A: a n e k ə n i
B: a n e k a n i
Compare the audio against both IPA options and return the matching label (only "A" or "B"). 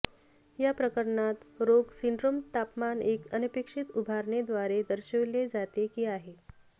A